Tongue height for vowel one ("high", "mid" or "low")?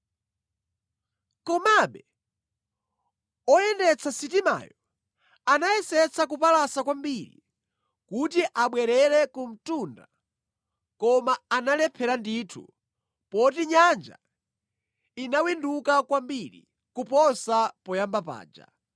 mid